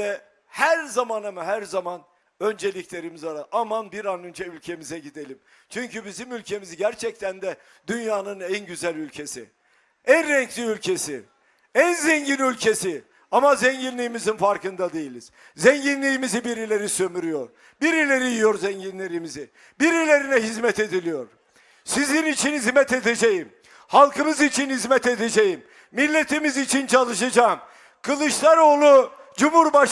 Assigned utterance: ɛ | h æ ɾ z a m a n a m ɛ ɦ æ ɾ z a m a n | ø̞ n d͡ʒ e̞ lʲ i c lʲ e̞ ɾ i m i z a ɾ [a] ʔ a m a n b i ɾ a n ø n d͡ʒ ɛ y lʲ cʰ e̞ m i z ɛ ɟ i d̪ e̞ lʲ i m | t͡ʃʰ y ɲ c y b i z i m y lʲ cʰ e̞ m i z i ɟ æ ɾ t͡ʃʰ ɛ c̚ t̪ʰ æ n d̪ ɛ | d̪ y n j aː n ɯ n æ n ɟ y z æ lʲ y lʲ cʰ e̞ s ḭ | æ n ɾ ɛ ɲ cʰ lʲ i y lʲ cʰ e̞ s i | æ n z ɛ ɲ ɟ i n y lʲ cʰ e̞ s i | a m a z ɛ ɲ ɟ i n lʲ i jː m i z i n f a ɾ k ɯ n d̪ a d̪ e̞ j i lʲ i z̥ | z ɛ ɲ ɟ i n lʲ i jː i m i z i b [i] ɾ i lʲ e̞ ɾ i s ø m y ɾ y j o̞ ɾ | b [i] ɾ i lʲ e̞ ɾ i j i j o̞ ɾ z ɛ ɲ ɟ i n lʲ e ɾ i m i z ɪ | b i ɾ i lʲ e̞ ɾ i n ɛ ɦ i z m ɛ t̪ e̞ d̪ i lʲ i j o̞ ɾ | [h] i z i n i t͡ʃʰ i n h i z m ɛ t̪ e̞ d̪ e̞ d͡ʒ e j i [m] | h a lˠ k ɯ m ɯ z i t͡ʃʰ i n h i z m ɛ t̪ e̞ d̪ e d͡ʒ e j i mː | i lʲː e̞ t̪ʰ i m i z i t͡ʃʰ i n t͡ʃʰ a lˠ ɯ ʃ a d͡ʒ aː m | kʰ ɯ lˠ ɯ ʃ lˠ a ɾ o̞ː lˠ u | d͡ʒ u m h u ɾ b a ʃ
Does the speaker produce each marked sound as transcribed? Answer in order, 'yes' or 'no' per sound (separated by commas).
yes, yes, yes, no, yes